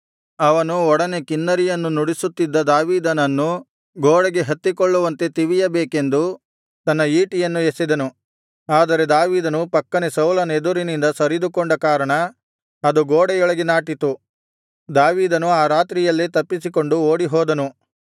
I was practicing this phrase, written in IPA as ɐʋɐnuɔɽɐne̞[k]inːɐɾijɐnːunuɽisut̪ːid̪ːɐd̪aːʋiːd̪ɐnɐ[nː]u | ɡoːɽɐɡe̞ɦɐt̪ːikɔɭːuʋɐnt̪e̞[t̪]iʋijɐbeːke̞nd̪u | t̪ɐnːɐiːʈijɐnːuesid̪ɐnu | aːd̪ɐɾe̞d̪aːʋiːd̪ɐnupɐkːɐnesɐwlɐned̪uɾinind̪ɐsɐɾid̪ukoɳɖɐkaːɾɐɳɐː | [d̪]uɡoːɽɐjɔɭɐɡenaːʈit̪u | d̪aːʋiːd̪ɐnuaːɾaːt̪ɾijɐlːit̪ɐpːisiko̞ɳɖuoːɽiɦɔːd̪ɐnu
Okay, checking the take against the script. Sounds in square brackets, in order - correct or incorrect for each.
correct, correct, correct, correct

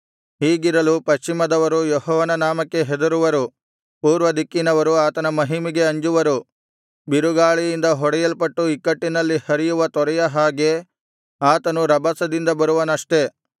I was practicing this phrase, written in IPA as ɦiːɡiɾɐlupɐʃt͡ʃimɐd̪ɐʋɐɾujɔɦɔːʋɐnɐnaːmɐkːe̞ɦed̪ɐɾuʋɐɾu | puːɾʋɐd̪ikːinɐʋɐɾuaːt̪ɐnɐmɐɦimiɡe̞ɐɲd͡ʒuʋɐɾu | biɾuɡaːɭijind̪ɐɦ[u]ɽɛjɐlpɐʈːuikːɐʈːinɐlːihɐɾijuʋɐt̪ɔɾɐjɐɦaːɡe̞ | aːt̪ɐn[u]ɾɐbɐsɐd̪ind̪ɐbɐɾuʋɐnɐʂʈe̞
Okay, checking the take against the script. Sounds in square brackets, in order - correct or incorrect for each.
incorrect: ɔ, correct

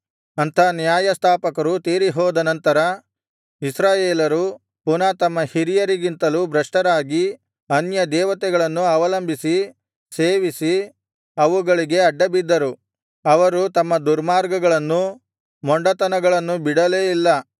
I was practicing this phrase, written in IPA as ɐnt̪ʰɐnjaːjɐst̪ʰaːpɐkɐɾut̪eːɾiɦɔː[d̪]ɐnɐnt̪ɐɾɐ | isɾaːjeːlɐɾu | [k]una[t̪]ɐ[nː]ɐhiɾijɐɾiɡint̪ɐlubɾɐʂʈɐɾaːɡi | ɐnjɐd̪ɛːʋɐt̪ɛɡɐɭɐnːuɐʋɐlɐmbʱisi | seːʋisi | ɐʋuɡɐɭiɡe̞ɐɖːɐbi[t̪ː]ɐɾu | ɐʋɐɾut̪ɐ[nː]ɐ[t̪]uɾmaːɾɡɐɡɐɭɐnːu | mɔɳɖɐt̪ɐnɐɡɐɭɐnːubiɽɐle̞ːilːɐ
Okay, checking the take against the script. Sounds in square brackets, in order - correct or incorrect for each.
correct, incorrect: p, correct, incorrect: mː, incorrect: d̪ː, incorrect: mː, incorrect: d̪

